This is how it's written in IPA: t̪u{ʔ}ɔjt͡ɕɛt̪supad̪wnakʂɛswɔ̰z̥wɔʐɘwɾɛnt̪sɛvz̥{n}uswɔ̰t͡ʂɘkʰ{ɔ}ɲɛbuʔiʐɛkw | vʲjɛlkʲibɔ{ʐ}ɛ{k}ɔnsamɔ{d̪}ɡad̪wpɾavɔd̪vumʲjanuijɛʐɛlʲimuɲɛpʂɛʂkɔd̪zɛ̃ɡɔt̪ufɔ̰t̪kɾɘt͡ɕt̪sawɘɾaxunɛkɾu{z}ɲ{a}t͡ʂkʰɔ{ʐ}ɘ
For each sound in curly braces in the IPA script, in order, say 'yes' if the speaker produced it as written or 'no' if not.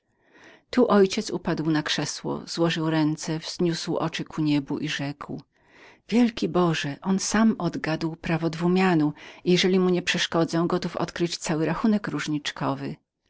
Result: yes, no, no, yes, no, yes, no, no, no

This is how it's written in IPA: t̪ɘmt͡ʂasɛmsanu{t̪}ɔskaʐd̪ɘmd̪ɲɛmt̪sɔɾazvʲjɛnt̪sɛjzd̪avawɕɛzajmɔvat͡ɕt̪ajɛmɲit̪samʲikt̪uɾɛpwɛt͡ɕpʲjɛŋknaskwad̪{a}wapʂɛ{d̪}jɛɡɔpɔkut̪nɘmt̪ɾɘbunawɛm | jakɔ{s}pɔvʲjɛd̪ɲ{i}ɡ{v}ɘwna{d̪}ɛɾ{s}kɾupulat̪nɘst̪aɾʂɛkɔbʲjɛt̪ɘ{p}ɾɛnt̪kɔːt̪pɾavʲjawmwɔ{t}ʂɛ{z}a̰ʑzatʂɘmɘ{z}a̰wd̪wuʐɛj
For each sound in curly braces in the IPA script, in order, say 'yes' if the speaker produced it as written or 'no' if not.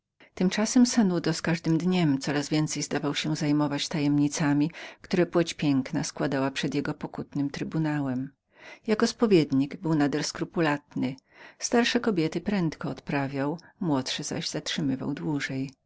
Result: no, yes, yes, yes, yes, no, yes, yes, yes, yes, yes, no

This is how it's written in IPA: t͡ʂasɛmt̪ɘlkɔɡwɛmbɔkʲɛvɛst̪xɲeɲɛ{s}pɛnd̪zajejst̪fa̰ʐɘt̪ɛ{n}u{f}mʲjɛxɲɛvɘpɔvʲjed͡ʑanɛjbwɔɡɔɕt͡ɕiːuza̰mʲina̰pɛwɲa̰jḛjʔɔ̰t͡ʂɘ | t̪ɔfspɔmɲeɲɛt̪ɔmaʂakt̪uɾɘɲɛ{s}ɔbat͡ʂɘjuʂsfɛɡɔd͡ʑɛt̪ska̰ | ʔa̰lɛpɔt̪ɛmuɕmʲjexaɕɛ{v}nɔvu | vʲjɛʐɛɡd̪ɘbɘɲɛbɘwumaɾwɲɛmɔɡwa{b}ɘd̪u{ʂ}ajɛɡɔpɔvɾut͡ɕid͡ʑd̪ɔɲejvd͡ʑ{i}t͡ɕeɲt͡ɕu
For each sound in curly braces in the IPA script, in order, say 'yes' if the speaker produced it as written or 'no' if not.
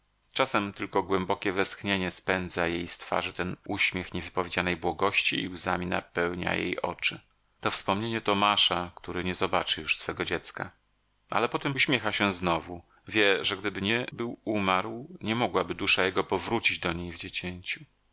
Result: yes, yes, no, no, no, yes, yes, no

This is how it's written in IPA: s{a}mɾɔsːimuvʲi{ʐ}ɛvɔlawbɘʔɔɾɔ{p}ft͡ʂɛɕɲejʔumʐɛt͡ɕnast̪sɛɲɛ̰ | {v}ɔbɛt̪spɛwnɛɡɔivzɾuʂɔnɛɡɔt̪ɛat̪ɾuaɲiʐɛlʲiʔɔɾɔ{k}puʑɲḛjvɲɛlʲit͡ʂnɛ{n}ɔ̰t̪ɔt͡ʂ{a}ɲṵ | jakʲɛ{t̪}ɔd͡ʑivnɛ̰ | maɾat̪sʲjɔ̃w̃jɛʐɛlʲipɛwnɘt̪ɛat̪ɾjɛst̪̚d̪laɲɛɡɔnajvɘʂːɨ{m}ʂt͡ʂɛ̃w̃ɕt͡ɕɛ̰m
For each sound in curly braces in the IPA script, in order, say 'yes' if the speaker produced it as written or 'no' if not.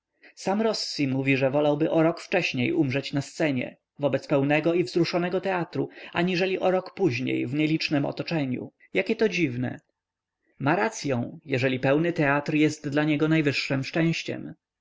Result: yes, yes, no, yes, yes, no, no, yes, yes

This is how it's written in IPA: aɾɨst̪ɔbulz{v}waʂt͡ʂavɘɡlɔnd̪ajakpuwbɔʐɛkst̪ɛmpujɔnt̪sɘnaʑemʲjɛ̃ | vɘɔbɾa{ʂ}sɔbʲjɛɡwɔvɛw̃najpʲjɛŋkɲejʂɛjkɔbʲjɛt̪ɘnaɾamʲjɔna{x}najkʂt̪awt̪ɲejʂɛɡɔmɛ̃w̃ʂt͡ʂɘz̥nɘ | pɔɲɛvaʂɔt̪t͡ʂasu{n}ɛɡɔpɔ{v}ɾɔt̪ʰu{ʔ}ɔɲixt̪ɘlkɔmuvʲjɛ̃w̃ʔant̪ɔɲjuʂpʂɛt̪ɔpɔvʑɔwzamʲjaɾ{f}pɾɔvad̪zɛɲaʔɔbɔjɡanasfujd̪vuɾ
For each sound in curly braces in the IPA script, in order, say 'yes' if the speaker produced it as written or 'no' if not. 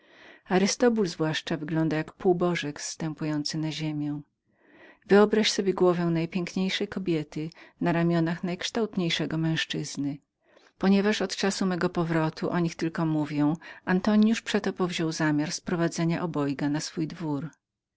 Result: yes, no, yes, no, yes, yes, no

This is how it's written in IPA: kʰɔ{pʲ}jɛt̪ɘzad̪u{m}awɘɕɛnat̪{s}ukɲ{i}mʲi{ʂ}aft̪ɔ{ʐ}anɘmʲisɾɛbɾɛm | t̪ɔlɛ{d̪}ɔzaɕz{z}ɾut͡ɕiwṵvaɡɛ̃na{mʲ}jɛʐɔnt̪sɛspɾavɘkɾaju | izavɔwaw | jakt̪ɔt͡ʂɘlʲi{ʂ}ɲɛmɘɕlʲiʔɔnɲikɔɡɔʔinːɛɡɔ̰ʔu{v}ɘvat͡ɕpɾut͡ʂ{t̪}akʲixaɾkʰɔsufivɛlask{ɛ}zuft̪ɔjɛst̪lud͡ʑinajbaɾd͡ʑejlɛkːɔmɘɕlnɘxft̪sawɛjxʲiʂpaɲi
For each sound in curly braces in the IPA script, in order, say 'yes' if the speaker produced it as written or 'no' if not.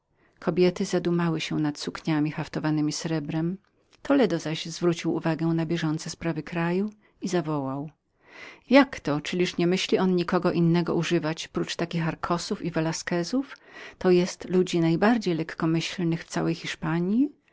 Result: no, yes, yes, no, no, no, yes, no, no, yes, no, yes, yes

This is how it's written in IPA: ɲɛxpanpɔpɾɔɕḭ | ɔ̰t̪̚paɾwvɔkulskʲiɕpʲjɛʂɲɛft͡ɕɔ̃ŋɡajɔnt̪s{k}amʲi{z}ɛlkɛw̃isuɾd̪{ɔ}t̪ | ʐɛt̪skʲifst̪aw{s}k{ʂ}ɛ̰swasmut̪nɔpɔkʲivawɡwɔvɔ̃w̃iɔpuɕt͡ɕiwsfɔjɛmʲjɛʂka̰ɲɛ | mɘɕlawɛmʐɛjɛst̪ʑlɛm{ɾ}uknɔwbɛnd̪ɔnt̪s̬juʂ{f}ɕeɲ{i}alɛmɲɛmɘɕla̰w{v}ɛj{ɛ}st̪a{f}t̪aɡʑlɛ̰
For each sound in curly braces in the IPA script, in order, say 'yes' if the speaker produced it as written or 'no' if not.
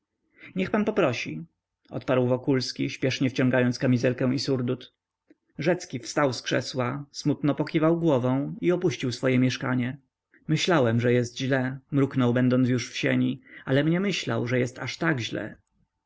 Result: yes, yes, no, yes, yes, yes, yes, yes, no, yes, no

